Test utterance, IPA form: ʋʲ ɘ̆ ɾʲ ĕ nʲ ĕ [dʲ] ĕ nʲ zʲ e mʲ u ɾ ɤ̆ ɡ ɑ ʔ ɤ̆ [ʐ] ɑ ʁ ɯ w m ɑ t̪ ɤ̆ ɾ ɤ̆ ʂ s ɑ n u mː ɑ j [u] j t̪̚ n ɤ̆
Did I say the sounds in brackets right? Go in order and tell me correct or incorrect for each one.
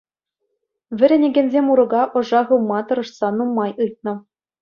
incorrect: ɡʲ, correct, incorrect: ɯ

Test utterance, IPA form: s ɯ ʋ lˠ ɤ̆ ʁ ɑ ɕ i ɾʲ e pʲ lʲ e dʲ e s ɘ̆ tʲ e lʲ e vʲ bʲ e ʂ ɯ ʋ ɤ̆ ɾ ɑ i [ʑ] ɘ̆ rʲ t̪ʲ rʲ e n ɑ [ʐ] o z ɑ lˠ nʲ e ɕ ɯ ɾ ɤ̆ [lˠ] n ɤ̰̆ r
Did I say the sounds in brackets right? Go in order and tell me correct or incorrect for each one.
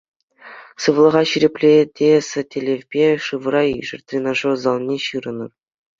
incorrect: ʐ, correct, incorrect: none

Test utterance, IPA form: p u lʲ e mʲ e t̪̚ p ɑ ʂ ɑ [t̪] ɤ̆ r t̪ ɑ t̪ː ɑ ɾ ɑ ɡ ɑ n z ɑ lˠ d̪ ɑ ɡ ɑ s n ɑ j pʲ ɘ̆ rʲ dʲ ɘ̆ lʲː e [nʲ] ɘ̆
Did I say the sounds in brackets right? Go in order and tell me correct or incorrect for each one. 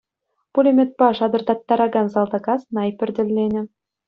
incorrect: d̪, correct

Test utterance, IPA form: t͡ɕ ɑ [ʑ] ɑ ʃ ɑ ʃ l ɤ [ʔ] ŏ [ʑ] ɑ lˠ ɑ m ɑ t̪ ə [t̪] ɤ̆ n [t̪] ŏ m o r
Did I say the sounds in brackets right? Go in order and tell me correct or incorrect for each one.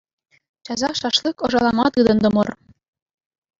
incorrect: z, incorrect: k, incorrect: ʒ, incorrect: d̪, incorrect: d̪

